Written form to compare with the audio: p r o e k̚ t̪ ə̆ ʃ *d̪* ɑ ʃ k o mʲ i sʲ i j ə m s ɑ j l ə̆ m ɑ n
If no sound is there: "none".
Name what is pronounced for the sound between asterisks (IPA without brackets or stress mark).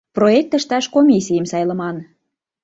t̪